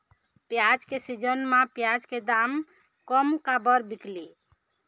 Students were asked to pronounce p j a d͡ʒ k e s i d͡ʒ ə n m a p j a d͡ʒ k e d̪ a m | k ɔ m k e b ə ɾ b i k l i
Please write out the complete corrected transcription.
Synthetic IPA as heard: p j a d͡ʒ k e s i d͡ʒ ə n m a p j a d͡ʒ k e d̪ a m | k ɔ m k a b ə ɾ b i k l i

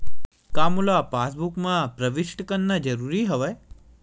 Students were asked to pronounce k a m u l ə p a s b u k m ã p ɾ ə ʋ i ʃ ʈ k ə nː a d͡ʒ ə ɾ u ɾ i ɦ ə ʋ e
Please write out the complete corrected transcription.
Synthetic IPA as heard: k a m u l a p a s b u k m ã p ɾ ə ʋ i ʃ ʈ k ə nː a d͡ʒ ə ɾ u ɾ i ɦ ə ʋ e

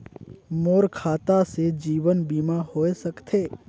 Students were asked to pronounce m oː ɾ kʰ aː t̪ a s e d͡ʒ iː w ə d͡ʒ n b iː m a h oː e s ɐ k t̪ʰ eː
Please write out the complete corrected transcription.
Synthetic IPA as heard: m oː ɾ kʰ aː t̪ a s e d͡ʒ iː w ə n b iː m a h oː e s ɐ k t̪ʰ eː

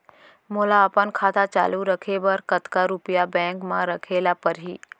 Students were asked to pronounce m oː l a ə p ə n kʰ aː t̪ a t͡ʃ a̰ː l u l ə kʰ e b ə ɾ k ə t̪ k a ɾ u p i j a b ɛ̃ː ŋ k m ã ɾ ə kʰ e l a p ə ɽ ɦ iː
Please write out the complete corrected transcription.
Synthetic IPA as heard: m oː l a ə p ə n kʰ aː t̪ a t͡ʃ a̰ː l u ɾ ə kʰ e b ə ɾ k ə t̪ k a ɾ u p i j a b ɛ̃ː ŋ k m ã ɾ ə kʰ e l a p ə ɾ ɦ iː

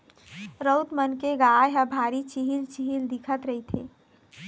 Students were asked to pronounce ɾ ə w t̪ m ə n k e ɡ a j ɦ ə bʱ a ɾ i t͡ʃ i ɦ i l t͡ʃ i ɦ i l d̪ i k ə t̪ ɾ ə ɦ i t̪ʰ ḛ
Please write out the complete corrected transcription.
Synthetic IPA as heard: ɾ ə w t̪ m ə n k e ɡ a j ɦ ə bʱ a ɾ i t͡ʃ i ɦ i l t͡ʃ i ɦ i l d̪ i kʰ ə t̪ ɾ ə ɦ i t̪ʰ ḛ

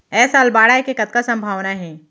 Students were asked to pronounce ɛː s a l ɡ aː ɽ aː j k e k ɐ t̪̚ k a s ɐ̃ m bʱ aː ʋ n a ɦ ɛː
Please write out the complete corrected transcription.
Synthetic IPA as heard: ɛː s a l b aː ɽ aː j k e k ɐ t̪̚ k a s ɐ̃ m bʱ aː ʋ n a ɦ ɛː

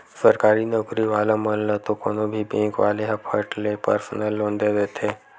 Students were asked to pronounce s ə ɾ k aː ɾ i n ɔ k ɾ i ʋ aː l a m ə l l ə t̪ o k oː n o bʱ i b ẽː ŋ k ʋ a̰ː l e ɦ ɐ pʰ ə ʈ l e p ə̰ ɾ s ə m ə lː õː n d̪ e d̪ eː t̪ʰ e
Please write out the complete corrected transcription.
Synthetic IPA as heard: s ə ɾ k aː ɾ i n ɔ k ɾ i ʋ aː l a m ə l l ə t̪ o k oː n o bʱ i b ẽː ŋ k ʋ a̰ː l e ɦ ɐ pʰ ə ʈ l e p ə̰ ɾ s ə n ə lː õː n d̪ e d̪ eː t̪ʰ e

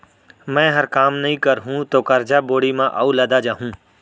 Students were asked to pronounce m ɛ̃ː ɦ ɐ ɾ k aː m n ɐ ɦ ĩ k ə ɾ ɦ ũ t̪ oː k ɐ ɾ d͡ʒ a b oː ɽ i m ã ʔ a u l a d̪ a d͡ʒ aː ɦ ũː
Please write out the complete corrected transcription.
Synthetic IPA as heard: m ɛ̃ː ɦ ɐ ɾ k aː m n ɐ ɦ ĩ k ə ɾ ɦ ũ t̪ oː k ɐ ɾ d͡ʒ a b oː ɽ i m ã ʔ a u l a d̪ a d͡ʒ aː ɦ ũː

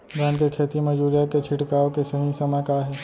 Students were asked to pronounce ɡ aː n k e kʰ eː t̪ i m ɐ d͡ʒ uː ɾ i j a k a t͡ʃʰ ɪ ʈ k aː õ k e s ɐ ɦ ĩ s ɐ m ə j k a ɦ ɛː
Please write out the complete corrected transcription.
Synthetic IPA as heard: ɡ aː n k e kʰ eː t̪ i m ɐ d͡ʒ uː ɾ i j a k e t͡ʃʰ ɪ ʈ k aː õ k e s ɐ ɦ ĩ s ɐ m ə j k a ɦ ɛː

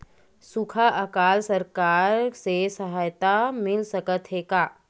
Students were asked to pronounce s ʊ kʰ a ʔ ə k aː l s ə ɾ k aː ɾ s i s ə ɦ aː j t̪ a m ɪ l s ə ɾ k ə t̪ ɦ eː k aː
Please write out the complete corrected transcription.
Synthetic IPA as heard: s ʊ kʰ a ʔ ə k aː l s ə ɾ k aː ɾ s e s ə ɦ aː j t̪ a m ɪ l s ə k ə t̪ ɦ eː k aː

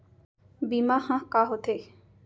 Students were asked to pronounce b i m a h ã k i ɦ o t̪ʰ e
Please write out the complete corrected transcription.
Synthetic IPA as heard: b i m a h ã k a ɦ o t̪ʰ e

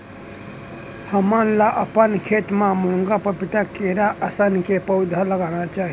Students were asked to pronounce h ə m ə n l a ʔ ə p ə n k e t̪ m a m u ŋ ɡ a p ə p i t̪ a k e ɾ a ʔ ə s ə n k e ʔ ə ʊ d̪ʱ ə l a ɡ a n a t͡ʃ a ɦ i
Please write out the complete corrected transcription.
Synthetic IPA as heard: h ə m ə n l a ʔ ə p ə n kʰ e t̪ m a m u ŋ ɡ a p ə p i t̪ a k e ɾ a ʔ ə s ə n k e p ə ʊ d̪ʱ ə l ə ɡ a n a t͡ʃ a ɦ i

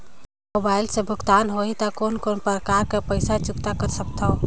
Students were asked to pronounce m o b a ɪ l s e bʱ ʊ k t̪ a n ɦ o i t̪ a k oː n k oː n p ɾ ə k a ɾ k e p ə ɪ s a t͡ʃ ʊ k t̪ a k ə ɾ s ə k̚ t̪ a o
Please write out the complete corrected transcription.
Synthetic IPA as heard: m o b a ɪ l s e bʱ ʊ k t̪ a n ɦ o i t̪ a k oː n k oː n p ɾ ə k a ɾ k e p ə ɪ s a t͡ʃ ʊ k t̪ a k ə ɾ s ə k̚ t̪ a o

